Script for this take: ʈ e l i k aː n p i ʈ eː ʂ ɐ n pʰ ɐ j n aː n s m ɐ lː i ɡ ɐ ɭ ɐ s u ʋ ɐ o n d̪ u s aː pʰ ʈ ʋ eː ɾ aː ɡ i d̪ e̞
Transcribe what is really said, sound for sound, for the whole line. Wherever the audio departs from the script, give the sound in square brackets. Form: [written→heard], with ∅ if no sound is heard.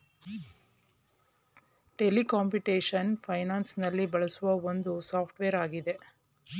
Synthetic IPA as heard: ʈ e l i k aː [n→m] p i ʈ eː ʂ ɐ n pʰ ɐ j n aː n s [m→n] ɐ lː i [ɡ→b] ɐ ɭ ɐ s u ʋ ɐ o n d̪ u s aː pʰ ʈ ʋ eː ɾ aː ɡ i d̪ e̞